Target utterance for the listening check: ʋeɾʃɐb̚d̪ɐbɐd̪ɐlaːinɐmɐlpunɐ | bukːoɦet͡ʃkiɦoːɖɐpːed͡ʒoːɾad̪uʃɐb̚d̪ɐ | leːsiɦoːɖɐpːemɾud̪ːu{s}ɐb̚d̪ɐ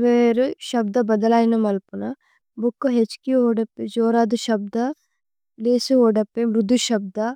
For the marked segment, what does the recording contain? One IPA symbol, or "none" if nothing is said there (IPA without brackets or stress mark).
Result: ʃ